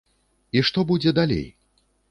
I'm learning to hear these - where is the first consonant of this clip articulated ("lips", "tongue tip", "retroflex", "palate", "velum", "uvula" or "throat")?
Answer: retroflex